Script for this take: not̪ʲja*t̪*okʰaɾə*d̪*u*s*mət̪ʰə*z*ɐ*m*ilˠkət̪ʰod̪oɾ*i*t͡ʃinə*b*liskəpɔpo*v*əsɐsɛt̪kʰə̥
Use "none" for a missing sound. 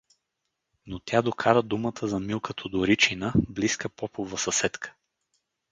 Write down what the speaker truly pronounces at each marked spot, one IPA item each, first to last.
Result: d̪, d̪, none, z, m, i, b, v

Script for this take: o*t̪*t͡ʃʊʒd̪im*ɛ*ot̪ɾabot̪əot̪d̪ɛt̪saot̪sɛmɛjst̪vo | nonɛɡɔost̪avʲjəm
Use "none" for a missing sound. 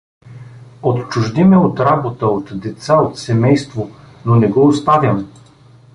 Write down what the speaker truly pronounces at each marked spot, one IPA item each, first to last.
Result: t̪, ɛ

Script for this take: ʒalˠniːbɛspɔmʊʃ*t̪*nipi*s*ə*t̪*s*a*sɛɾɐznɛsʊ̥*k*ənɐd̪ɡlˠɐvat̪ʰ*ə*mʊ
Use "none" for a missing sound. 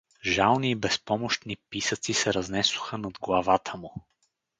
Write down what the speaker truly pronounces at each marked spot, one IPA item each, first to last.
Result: t̪, s, t̪, i, x, ə

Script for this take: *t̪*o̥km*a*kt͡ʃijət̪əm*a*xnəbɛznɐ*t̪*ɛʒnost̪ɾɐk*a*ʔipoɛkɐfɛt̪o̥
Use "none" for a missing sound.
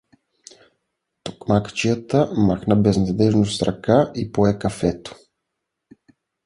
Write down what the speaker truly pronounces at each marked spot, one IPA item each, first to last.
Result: t̪, a, a, d̪, a

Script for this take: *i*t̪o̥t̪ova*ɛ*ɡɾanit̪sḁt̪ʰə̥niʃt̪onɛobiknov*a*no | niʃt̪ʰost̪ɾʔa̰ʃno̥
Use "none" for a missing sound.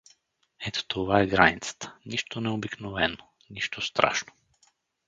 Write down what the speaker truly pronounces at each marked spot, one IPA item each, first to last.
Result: ɛ, ɛ, ɛ

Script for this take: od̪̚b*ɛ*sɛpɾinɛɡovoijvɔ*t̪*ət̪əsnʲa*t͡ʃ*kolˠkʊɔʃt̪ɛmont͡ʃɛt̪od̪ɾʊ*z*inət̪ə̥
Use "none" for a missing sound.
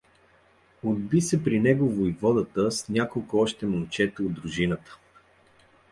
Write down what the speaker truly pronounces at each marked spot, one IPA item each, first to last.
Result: i, d̪, none, ʒ

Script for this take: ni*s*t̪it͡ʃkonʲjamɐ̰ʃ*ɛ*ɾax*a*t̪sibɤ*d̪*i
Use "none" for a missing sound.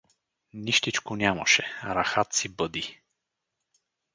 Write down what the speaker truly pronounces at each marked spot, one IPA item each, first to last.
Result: ʃ, ɛ, a, d̪

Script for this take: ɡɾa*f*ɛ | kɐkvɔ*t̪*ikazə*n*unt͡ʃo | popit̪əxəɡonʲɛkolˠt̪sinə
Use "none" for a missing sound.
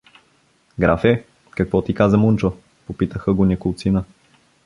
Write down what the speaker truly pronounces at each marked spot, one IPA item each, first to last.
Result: f, t̪, m

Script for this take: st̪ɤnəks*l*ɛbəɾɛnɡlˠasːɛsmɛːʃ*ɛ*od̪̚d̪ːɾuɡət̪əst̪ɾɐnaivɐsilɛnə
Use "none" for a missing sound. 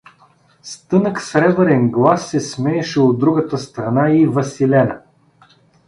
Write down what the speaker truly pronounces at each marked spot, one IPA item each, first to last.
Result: ɾ, ɛ

